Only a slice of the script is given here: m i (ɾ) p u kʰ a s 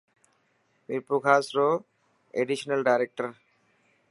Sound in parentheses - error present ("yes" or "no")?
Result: no